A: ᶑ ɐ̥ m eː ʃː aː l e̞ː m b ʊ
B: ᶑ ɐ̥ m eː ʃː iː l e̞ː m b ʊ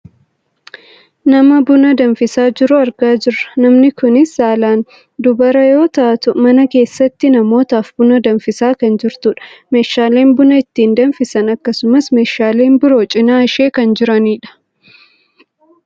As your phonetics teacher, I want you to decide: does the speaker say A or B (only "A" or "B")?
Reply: A